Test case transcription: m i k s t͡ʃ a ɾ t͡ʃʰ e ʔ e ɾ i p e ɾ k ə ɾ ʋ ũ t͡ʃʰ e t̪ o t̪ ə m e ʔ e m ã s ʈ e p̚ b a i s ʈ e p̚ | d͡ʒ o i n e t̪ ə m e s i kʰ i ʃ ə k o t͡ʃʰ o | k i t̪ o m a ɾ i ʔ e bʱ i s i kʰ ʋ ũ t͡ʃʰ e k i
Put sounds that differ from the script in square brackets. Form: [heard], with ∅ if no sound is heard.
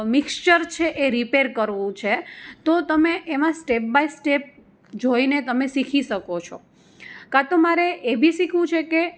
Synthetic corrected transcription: m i k s t͡ʃ [ə] ɾ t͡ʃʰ e ʔ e ɾ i p e ɾ k ə ɾ ʋ ũ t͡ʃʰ e t̪ o t̪ ə m e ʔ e m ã s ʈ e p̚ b a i s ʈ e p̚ | d͡ʒ o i n e t̪ ə m e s i kʰ i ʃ ə k o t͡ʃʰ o | k [a] t̪ o m a ɾ [e] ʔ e bʱ i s i kʰ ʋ ũ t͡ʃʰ e k [e]